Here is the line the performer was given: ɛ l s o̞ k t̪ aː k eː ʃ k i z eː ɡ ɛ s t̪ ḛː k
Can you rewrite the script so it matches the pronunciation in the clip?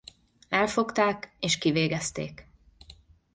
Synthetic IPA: ɛ l f o̞ k t̪ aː k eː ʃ k i v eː ɡ ɛ s t̪ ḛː k